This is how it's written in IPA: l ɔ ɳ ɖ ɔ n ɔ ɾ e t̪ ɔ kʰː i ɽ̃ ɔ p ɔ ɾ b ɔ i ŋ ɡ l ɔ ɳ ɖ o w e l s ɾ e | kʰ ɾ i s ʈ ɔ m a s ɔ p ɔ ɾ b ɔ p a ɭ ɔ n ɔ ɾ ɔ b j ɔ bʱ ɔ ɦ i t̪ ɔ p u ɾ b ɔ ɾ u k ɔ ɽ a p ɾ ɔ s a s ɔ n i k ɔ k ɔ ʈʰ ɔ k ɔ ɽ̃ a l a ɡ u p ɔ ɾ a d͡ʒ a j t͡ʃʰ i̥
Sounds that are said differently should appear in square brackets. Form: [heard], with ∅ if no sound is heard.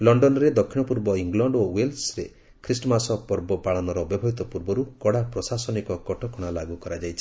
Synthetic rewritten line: l ɔ ɳ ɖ ɔ n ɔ ɾ e [d̪] ɔ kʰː i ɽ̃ ɔ p [u] ɾ b ɔ i ŋ ɡ l ɔ ɳ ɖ o w e l s ɾ e | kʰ ɾ i s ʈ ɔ m a s ɔ p ɔ ɾ b ɔ p a ɭ ɔ n ɔ ɾ ɔ b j ɔ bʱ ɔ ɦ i t̪ ɔ p u ɾ b ɔ ɾ u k ɔ ɽ a p ɾ ɔ s a s ɔ n i k ɔ k ɔ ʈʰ ɔ k ɔ ɽ̃ a l a ɡ u [k] ɔ ɾ a d͡ʒ a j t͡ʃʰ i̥

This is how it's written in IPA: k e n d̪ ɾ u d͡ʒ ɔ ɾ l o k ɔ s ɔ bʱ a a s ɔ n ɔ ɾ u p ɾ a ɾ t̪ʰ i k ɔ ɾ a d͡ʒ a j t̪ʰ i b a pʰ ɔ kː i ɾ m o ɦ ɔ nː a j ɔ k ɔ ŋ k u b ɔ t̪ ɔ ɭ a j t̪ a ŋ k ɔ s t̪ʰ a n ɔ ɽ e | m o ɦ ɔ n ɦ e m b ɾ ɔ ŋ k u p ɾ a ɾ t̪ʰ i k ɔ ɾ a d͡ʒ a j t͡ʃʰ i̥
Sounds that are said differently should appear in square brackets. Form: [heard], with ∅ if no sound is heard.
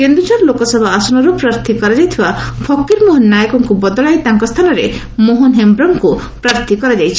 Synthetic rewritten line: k e n d̪ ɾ u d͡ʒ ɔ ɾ l o k ɔ s ɔ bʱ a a s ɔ n ɔ ɾ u p ɾ a ɾ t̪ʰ i k ɔ ɾ a d͡ʒ a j t̪ʰ i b a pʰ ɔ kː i ɾ m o ɦ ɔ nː a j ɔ k ɔ ŋ k u b ɔ [d̪] ɔ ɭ a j t̪ a ŋ k ɔ s t̪ʰ a n ɔ [ɾ] e | m o ɦ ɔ n ɦ e m b ɾ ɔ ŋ k u p ɾ a ɾ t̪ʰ i k ɔ ɾ a d͡ʒ a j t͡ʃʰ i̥

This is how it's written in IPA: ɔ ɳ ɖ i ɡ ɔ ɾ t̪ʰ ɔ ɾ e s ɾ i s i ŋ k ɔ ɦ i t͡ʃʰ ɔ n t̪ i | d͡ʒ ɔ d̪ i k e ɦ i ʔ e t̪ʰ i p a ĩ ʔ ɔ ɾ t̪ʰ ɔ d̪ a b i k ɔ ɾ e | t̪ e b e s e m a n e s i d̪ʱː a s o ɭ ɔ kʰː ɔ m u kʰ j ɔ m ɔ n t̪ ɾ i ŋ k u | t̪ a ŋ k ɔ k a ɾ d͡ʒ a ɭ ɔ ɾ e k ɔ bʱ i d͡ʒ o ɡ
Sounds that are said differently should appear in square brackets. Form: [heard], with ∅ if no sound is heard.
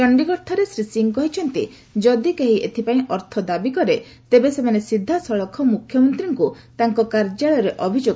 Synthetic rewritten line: ɔ ɳ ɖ i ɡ ɔ ɾ t̪ʰ ɔ ɾ e s ɾ i s i ŋ k ɔ ɦ i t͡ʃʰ ɔ n t̪ i | d͡ʒ ɔ d̪ i k e ɦ i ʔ e t̪ʰ i p a ĩ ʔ ɔ ɾ t̪ʰ ɔ d̪ a b i k ɔ ɾ e | t̪ e b e s e m a n e s i d̪ʱː a s [ɔ] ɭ ɔ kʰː ɔ m u kʰ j ɔ m ɔ n t̪ ɾ i ŋ k u | t̪ a ŋ k ɔ k a ɾ d͡ʒ a ɭ ɔ ɾ e [ʔ] ɔ bʱ i d͡ʒ o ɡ

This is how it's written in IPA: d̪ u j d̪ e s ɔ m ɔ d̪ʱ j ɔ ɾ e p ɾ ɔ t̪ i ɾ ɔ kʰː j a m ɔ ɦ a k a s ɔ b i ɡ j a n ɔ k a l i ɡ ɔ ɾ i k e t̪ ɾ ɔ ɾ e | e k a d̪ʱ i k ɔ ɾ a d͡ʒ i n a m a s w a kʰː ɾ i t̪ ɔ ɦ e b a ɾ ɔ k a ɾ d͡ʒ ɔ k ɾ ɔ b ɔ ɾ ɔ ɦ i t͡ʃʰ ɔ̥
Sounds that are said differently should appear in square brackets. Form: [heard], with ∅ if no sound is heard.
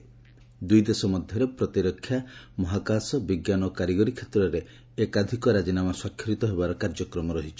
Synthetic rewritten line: d̪ u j d̪ e s ɔ m ɔ d̪ʱ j ɔ ɾ e p ɾ ɔ t̪ i ɾ ɔ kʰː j a m ɔ ɦ a k a s ɔ b i ɡ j a n ɔ k a [ɾ] i ɡ ɔ ɾ i [kʰ] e t̪ ɾ ɔ ɾ e | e k a d̪ʱ i k ɔ ɾ a d͡ʒ i n a m a s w a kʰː ɾ i t̪ ɔ ɦ e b a ɾ ɔ k a ɾ d͡ʒ ɔ k ɾ ɔ [m] ɔ ɾ ɔ ɦ i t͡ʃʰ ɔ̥

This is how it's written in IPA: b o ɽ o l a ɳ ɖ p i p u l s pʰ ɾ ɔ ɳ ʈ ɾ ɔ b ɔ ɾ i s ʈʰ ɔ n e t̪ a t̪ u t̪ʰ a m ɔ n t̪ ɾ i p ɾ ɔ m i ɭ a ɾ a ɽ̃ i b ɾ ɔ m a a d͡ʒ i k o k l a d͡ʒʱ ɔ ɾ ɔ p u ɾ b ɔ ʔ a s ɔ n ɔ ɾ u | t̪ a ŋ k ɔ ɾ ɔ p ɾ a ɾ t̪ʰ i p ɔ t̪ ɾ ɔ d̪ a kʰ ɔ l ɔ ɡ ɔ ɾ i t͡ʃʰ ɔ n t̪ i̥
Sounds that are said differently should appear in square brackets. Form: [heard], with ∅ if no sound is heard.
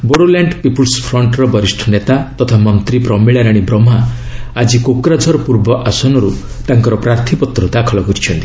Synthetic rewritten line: b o ɽ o l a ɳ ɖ p i p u l s pʰ ɾ ɔ ɳ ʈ ɾ ɔ b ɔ ɾ i s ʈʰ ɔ n e t̪ a t̪ [ɔ] t̪ʰ a m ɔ n t̪ ɾ i p ɾ ɔ m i ɭ a ɾ a ɽ̃ i b ɾ ɔ m a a d͡ʒ i k o k [ɾ] a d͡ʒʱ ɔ ɾ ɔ p u ɾ b ɔ ʔ a s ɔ n ɔ ɾ u | t̪ a ŋ k ɔ ɾ ɔ p ɾ a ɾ t̪ʰ i p ɔ t̪ ɾ ɔ d̪ a kʰ ɔ l ɔ ɡ ɔ ɾ i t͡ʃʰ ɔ n t̪ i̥

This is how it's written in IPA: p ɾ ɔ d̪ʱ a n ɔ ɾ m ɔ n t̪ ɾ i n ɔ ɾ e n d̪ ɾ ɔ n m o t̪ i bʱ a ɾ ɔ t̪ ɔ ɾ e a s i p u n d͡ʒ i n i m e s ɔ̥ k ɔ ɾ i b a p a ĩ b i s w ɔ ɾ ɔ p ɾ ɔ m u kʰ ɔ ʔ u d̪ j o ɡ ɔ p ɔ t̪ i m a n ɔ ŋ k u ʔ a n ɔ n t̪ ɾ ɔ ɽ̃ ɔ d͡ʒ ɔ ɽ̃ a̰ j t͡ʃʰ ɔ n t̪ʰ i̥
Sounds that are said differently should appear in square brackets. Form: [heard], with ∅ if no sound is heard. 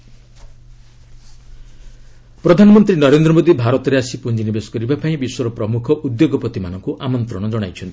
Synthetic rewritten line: p ɾ ɔ d̪ʱ a n ɔ [∅] m ɔ n t̪ ɾ i n ɔ ɾ e n d̪ ɾ ɔ [∅] m o [d̪] i bʱ a ɾ ɔ t̪ ɔ ɾ e a s i p u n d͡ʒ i n i [b] e s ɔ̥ k ɔ ɾ i b a p a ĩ b i s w ɔ ɾ ɔ p ɾ ɔ m u kʰ ɔ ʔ u d̪ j o ɡ ɔ p ɔ t̪ i m a n ɔ ŋ k u ʔ a [m] ɔ n t̪ ɾ ɔ ɽ̃ ɔ d͡ʒ ɔ ɽ̃ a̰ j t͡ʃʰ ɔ n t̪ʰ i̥

